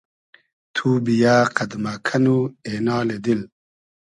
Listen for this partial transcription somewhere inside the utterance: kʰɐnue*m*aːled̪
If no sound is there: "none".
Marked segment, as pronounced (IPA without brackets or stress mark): n